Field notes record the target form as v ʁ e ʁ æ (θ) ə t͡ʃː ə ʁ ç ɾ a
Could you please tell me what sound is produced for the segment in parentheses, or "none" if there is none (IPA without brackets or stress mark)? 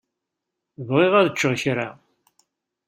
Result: ð